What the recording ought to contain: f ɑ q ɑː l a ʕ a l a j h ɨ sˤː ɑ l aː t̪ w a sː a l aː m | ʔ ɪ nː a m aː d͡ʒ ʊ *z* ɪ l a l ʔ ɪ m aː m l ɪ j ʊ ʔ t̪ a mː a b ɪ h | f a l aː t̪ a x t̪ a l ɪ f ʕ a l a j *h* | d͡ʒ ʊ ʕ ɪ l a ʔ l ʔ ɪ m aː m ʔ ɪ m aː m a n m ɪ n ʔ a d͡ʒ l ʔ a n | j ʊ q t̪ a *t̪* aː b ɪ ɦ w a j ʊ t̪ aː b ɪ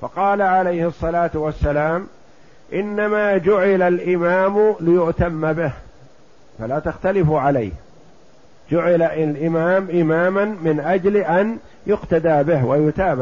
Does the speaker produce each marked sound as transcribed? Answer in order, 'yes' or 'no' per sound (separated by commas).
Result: no, yes, no